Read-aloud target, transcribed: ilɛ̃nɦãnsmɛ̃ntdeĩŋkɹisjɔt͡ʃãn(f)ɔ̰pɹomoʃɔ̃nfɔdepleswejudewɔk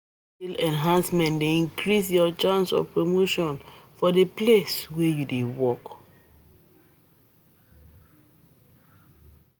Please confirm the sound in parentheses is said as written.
no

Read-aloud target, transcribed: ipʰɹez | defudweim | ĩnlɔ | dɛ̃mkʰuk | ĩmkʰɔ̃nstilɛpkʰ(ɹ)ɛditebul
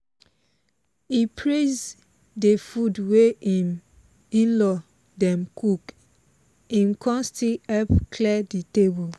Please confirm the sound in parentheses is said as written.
no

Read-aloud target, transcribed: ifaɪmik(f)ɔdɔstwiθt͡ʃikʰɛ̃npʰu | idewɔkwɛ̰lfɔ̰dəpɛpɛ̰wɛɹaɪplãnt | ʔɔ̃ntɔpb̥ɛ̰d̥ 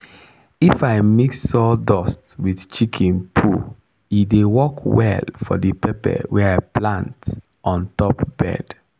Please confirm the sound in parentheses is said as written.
no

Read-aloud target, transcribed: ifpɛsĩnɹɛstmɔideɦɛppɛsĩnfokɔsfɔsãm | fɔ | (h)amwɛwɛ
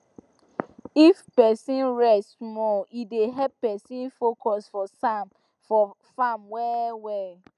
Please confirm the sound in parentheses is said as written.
no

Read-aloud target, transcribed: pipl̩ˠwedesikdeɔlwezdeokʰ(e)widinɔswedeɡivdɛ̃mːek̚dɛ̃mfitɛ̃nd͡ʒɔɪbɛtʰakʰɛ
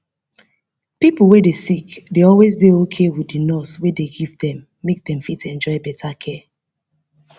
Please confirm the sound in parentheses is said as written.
yes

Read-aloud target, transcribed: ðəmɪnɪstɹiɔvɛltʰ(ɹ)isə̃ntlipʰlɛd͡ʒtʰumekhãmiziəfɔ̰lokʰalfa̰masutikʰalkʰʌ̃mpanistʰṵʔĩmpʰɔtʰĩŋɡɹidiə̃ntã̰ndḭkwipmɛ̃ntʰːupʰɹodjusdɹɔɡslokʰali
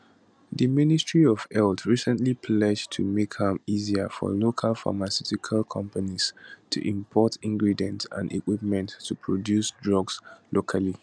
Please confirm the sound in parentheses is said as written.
yes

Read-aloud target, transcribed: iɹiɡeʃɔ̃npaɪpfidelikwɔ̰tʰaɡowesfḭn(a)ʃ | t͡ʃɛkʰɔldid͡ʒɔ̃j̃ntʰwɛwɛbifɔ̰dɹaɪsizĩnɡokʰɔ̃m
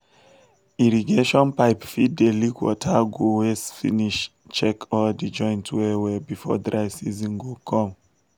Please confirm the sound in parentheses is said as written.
no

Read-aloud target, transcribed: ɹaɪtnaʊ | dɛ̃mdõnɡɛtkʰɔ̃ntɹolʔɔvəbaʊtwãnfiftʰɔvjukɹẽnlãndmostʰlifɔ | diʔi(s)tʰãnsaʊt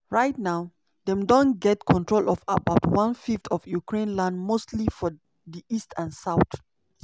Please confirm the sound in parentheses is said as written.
yes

